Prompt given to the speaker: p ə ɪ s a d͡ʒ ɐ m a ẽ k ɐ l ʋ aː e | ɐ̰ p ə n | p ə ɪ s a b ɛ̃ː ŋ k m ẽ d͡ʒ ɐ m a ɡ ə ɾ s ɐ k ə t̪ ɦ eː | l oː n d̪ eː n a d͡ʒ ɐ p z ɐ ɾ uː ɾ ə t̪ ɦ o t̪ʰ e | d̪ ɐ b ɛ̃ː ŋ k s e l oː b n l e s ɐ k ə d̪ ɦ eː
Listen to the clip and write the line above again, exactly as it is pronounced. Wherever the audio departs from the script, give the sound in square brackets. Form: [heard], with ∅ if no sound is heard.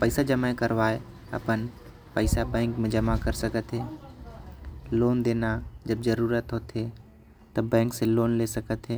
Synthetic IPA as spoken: p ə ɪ s a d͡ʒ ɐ m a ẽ k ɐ [ɾ] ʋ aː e | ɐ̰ p ə n | p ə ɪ s a b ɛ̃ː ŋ k m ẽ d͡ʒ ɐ m a [k] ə ɾ s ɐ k ə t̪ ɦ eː | l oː n d̪ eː n a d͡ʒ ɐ [b] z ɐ ɾ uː ɾ ə t̪ ɦ o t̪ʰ e | [t̪] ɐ b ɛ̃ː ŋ k s e l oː [∅] n l e s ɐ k ə [t̪] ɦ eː